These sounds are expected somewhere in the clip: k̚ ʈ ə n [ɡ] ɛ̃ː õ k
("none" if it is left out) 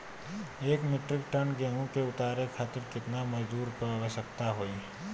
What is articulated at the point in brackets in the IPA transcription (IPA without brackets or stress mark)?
ɡ